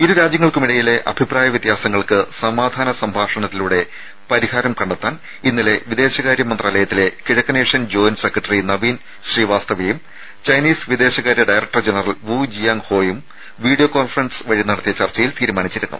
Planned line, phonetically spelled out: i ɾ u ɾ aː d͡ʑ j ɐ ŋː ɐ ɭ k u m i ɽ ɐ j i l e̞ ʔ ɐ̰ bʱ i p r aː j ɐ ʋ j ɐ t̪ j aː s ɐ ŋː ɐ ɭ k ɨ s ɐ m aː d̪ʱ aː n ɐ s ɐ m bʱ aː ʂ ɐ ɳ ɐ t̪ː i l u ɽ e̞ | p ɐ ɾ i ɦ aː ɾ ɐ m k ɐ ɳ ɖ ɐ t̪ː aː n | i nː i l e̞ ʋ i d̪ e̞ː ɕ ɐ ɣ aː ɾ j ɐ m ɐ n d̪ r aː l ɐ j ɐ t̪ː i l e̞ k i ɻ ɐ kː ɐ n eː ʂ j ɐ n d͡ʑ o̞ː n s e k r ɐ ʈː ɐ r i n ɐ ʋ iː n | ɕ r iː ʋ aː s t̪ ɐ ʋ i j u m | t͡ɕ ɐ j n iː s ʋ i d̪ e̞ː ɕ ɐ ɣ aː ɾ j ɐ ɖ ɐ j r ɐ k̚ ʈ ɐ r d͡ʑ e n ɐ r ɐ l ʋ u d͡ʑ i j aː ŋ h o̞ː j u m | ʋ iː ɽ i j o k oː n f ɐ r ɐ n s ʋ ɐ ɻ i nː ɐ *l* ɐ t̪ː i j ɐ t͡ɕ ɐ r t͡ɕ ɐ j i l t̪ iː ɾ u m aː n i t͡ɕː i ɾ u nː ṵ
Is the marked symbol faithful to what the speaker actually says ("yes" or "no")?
no